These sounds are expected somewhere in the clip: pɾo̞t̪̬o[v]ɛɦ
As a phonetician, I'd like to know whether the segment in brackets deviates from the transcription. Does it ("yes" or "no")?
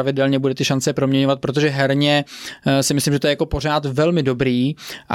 yes